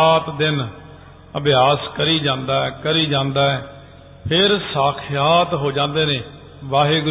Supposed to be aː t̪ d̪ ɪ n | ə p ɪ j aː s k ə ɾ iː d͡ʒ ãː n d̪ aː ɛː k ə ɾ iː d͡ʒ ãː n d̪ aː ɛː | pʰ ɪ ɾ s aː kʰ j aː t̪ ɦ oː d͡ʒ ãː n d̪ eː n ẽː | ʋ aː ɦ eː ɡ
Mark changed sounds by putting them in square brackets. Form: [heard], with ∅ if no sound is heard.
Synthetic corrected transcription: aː t̪ d̪ ɪ n | ə [b] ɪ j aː s k ə ɾ iː d͡ʒ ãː n d̪ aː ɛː k ə ɾ iː d͡ʒ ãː n d̪ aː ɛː | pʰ ɪ ɾ s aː kʰ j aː t̪ ɦ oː d͡ʒ ãː n d̪ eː n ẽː | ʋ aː ɦ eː ɡ